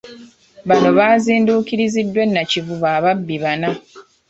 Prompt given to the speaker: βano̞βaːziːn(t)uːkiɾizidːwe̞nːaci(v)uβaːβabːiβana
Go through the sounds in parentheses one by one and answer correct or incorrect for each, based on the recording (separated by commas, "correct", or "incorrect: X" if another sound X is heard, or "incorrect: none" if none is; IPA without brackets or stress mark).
incorrect: d, correct